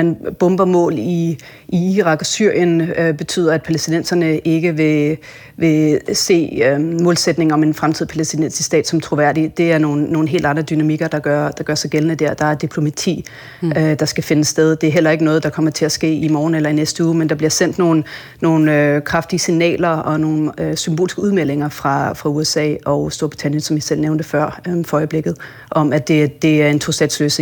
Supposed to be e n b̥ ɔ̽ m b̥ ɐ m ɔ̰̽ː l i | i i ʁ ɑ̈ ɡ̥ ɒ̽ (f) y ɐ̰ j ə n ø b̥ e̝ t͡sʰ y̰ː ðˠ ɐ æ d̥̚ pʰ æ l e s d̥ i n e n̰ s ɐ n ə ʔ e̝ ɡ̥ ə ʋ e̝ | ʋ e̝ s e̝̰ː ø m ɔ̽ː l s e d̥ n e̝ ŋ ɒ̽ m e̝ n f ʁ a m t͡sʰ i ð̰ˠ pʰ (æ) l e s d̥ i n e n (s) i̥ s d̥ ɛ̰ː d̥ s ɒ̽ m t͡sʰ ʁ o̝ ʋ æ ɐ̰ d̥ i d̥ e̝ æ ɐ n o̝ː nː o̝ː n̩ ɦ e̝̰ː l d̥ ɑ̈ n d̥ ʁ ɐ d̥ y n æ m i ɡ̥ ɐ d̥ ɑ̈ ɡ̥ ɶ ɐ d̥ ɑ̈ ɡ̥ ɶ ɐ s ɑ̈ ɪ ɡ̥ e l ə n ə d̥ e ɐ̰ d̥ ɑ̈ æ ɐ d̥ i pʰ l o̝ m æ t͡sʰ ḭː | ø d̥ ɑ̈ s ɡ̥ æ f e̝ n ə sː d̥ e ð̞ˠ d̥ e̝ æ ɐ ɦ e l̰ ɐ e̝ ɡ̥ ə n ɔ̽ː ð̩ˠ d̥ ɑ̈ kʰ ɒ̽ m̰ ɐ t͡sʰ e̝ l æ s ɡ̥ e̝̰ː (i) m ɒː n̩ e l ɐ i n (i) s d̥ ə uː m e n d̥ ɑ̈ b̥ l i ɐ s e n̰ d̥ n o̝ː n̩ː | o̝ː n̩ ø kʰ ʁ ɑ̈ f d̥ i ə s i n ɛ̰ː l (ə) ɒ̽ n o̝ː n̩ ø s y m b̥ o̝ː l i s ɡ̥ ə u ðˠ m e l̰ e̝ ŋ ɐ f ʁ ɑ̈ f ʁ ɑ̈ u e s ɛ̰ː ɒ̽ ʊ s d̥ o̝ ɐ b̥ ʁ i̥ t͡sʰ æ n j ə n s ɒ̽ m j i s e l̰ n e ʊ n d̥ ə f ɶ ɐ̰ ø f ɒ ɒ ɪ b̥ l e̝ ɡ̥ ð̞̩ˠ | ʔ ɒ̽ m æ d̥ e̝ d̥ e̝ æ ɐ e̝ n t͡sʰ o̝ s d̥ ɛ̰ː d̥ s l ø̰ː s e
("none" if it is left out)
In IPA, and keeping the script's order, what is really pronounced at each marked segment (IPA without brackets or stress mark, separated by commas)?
s, æ, s, i, e, ɐ